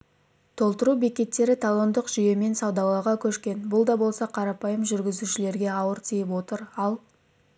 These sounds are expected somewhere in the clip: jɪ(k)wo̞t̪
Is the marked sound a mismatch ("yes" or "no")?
yes